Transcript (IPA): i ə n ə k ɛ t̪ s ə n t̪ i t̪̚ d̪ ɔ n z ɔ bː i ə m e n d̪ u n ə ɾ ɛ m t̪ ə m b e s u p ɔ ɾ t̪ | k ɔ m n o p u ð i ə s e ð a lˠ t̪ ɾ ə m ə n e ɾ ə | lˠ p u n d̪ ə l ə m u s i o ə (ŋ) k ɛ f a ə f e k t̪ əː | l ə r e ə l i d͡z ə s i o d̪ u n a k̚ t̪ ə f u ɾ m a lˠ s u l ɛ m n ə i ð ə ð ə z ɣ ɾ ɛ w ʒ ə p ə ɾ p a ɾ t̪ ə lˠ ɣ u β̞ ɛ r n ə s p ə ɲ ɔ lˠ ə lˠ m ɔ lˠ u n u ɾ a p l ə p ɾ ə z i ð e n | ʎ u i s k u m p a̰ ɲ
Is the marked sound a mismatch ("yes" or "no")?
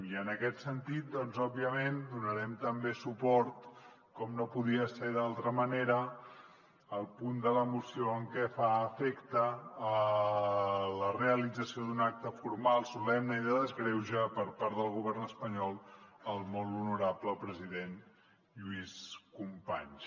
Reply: no